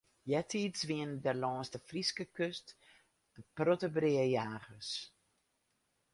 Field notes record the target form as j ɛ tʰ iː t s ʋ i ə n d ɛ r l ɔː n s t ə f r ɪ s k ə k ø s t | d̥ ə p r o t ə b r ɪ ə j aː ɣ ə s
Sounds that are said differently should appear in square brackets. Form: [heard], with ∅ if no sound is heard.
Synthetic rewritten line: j ɛ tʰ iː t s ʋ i ə n d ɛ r l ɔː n s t ə f r [i] s k ə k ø s t | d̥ ə p r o t ə b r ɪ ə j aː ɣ ə s